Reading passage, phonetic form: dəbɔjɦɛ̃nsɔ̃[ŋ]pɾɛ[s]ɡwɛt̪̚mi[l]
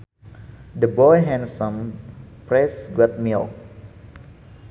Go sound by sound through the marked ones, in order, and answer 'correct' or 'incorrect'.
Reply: incorrect: m, correct, correct

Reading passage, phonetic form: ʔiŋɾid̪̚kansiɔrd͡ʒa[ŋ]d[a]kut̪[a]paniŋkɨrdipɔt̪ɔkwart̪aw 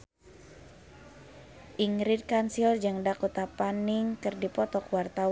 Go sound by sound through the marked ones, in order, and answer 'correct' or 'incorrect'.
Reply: correct, correct, correct

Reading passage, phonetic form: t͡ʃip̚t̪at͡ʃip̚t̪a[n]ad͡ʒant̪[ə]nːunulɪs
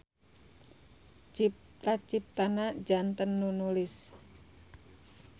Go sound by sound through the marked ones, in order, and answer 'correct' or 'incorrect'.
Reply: correct, correct

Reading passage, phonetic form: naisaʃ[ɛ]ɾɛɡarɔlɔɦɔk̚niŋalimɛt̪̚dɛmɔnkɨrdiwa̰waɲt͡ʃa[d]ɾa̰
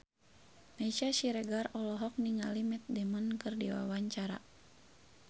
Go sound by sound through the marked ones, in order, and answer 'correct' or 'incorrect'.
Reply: incorrect: i, incorrect: none

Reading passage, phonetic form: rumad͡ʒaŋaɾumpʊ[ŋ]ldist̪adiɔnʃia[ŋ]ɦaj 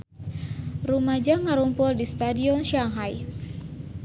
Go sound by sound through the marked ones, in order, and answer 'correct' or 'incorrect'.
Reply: incorrect: none, correct

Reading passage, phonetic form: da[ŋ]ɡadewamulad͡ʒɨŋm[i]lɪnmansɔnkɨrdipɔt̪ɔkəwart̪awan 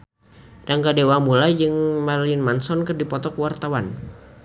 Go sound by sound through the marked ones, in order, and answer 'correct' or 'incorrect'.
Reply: correct, incorrect: a

